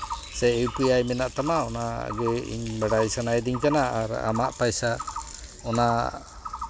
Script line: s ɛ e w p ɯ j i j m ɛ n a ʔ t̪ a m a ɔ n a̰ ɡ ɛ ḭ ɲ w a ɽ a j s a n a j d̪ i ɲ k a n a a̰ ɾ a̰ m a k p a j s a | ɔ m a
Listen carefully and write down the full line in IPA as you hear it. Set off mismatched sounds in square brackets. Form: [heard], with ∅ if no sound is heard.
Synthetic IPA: s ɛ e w p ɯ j [a] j m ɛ n a ʔ t̪ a m a ɔ n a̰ ɡ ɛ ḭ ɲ [b] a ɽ a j s a n a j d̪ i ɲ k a n a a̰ ɾ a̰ m a [ʔ] p a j s a | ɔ [n] a